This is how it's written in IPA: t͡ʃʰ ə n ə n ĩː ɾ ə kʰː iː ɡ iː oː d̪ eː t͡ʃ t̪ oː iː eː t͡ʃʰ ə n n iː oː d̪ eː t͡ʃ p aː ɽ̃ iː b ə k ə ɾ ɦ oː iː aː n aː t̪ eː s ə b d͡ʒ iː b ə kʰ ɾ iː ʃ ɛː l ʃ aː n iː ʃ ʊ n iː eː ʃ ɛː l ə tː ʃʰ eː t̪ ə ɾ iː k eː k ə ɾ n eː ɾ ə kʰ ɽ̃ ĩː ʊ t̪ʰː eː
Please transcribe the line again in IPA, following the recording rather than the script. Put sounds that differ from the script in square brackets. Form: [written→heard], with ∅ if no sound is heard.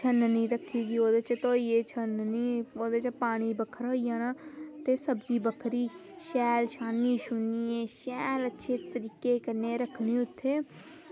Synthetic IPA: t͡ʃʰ ə n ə n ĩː ɾ ə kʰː iː ɡ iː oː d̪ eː t͡ʃ t̪ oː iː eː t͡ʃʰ ə n n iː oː d̪ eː t͡ʃ p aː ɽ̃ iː b ə [k→kʰ] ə ɾ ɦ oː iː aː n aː t̪ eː s ə b d͡ʒ iː b ə kʰ ɾ iː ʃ ɛː l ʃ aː n iː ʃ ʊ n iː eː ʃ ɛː l ə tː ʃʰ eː t̪ ə ɾ iː k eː k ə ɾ n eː ɾ ə kʰ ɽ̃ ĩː ʊ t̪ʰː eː